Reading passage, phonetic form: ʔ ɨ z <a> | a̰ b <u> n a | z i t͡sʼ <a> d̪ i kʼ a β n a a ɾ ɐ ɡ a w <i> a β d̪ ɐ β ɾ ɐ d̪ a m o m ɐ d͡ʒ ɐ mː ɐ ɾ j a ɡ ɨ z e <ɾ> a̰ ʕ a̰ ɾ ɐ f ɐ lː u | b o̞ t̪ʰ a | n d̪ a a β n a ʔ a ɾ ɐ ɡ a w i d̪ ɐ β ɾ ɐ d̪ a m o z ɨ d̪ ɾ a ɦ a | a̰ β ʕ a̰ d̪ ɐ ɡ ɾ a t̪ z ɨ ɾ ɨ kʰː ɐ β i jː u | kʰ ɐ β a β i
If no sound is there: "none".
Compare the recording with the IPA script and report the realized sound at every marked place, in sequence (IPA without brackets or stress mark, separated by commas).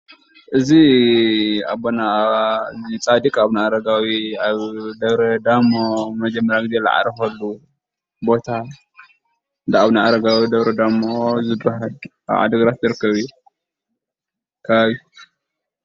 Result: i, o, a, i, l